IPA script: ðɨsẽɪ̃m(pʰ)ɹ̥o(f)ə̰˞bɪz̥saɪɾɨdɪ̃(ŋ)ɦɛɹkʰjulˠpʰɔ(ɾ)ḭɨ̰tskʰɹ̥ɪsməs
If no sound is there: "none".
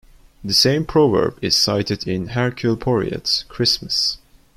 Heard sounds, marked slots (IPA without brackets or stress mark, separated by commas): pʰ, v, n, ɹ